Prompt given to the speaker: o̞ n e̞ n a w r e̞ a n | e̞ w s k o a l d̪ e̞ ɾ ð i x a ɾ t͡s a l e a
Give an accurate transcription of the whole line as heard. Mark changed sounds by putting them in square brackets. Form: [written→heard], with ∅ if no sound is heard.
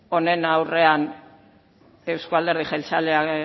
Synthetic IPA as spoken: o̞ n e̞ n a w r e̞ a n | e̞ w s k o a l d̪ e̞ ɾ ð i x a [ɾ→l] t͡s a l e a